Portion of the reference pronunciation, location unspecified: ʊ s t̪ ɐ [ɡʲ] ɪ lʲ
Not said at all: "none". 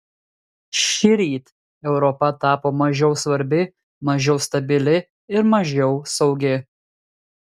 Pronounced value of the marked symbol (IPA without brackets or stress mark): bʲ